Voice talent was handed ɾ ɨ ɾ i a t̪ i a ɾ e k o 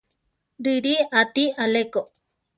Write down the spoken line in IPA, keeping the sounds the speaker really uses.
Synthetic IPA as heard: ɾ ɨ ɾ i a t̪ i a l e k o